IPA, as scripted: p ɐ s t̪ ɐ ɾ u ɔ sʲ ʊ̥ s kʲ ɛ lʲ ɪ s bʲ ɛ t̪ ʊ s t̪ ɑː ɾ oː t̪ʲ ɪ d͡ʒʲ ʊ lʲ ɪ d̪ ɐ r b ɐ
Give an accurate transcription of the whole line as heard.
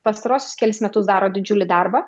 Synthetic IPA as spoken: p ɐ s t̪ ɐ ɾ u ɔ sʲ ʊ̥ s kʲ ɛ lʲ ɪ s mʲ ɛ t̪ ʊ s d̪ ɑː ɾ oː d̪ʲ ɪ d͡ʒʲ ʊ lʲ ɪ d̪ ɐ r b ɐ